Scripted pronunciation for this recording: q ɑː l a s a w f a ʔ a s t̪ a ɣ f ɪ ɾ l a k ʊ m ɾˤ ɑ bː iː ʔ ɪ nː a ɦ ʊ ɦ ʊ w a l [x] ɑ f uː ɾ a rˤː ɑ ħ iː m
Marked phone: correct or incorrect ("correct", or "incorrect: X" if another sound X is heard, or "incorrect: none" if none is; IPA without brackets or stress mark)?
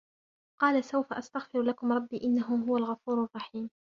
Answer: incorrect: ɣ